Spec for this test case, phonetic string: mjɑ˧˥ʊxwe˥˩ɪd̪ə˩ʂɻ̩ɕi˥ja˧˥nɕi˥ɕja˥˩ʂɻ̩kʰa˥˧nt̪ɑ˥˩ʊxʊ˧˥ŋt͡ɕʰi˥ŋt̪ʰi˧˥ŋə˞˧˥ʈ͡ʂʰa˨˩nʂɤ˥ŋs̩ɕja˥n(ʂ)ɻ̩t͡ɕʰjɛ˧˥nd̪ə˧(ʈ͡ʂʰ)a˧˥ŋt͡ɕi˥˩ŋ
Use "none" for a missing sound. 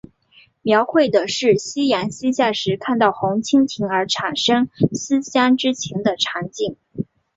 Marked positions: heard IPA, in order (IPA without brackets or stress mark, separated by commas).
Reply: ʈ͡ʂ, ʈ͡ʂʰ